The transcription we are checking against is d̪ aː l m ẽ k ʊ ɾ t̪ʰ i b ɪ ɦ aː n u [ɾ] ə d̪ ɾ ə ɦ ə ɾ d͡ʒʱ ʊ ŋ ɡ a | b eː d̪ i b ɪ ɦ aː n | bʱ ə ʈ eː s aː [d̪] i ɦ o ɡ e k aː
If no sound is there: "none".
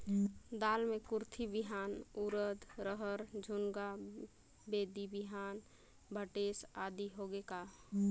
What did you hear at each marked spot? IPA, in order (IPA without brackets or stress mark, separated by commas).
ɾ, d̪